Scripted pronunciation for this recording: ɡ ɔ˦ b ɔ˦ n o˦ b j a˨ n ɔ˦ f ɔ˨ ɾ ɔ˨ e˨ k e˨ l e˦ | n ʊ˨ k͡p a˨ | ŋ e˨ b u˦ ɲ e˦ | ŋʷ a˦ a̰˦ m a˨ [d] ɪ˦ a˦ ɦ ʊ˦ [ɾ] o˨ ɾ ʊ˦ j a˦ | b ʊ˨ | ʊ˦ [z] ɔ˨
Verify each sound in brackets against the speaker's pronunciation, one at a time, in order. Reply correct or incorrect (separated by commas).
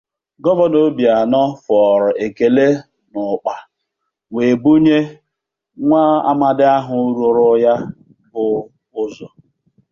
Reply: correct, correct, correct